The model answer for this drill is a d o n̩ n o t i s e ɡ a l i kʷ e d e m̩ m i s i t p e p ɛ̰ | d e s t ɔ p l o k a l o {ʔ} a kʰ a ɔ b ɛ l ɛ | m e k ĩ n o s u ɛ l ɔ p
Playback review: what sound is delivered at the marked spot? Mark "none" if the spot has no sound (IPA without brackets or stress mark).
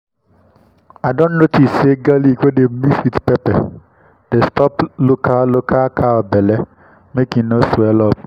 k